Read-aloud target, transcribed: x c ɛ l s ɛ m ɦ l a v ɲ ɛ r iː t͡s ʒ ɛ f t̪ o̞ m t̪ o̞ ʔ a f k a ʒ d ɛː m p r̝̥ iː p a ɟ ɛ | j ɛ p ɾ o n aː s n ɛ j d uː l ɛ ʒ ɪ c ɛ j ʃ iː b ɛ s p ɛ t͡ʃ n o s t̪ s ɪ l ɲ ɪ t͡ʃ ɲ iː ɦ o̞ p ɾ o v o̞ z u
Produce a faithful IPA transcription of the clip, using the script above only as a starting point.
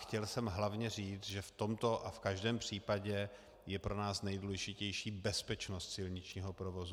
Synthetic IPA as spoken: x c ɛ l s ɛ m ɦ l a v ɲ ɛ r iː t͡s ʒ ɛ f t̪ o̞ m t̪ o̞ ʔ a f k a ʒ d ɛː m p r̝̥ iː p a ɟ ɛ | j ɛ p ɾ o n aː s n ɛ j d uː l ɛ ʒ ɪ c ɛ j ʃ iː b ɛ s p ɛ t͡ʃ n o s t̪ s ɪ l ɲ ɪ t͡ʃ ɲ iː ɦ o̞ p ɾ o v o̞ z u